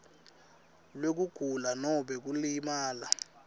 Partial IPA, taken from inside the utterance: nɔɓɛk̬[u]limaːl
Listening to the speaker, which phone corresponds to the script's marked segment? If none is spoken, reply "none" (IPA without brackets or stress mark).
u